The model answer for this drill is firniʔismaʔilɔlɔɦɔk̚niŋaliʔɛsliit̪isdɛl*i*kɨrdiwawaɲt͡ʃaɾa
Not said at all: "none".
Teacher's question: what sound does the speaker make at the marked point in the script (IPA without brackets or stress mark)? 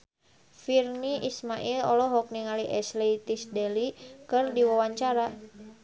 i